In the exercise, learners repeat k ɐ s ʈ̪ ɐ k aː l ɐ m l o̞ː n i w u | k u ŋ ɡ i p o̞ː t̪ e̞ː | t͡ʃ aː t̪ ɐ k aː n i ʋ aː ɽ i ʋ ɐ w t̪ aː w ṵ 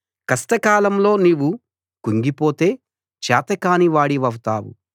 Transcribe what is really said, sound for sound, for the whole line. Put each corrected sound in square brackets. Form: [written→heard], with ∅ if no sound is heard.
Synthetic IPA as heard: k ɐ s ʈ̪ ɐ k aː l ɐ m l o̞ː n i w u | k u ŋ ɡ i p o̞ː t̪ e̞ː | t͡ʃ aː t̪ ɐ k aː n i ʋ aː ɽ i ʋ ɐ w t̪ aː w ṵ

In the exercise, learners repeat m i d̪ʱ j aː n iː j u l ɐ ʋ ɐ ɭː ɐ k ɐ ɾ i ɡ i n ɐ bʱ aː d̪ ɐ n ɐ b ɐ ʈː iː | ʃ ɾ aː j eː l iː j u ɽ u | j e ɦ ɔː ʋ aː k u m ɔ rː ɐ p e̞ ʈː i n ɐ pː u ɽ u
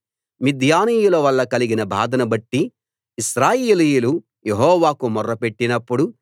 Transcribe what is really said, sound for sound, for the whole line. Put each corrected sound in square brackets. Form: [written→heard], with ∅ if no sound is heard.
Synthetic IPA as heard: m i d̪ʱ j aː n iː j u l ɐ ʋ ɐ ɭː ɐ k ɐ [ɾ→l] i ɡ i n ɐ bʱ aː d̪ ɐ n ɐ b ɐ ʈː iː | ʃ ɾ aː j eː l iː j u [ɽ→l] u | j e ɦ ɔː ʋ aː k u m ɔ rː ɐ p e̞ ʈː i n ɐ pː u ɽ u

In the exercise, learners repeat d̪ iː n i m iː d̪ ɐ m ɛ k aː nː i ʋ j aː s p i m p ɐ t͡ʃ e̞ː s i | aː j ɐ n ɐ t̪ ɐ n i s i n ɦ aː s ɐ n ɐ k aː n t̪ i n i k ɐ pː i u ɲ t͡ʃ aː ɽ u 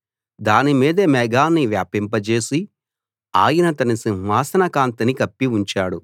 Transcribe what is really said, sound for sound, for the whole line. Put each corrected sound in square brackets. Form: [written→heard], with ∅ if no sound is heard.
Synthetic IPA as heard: d̪ [iː→aː] n i m iː d̪ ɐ m ɛ [k→ɡ] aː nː i ʋ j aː [s→∅] p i m p ɐ t͡ʃ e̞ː s i | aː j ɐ n ɐ t̪ ɐ n i s i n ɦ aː s ɐ n ɐ k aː n t̪ i n i k ɐ pː i u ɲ t͡ʃ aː ɽ u

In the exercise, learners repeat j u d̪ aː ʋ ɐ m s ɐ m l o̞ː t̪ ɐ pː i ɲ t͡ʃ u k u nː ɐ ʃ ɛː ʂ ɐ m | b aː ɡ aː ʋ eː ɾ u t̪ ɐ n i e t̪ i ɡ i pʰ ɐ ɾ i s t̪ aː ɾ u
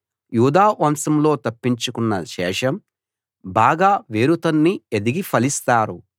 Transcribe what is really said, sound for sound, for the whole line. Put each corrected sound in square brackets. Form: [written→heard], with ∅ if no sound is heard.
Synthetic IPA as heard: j [u→uː] d̪ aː ʋ ɐ m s ɐ m l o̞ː t̪ ɐ pː i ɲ t͡ʃ u k u nː ɐ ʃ ɛː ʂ ɐ m | b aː ɡ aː ʋ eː ɾ u t̪ ɐ [n→nː] i e [t̪→d̪] i ɡ i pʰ ɐ [ɾ→l] i s t̪ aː ɾ u

